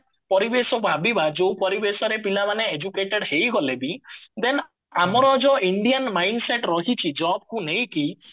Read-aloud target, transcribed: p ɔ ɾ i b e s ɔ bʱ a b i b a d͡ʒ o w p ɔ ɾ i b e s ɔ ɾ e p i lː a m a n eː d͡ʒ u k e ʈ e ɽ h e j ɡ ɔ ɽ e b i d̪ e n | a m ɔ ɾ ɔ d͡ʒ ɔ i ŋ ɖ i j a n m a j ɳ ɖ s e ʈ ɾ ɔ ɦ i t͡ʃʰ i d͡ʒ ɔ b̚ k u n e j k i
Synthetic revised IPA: p ɔ ɾ i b e s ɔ bʱ a b i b a d͡ʒ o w p ɔ ɾ i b e s ɔ ɾ e p i l a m a n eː d͡ʒ u k e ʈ e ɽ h e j ɡ ɔ l e b i d̪ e n | a m ɔ ɾ ɔ d͡ʒ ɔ i ɳ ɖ i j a n m a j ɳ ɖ s e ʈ ɾ ɔ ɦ i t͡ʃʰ i d͡ʒ ɔ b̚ k u n e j k i